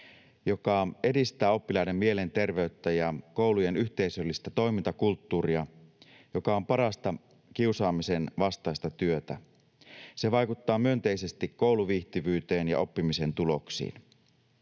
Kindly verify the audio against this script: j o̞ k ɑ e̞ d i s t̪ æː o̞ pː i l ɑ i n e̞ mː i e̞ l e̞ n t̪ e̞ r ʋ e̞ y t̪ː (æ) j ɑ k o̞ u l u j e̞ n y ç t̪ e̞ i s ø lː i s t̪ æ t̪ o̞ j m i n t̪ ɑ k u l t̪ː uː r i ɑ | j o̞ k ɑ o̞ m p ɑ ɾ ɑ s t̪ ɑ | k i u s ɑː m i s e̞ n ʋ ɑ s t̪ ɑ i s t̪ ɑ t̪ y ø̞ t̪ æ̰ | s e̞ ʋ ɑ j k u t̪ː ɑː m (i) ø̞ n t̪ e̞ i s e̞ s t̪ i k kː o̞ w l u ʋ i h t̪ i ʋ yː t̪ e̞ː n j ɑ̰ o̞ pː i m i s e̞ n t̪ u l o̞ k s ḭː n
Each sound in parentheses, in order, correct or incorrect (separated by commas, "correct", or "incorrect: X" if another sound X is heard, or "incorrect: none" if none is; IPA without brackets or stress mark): correct, incorrect: y